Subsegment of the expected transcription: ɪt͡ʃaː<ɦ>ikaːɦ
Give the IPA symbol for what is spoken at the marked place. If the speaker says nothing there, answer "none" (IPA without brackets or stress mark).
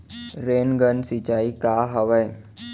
none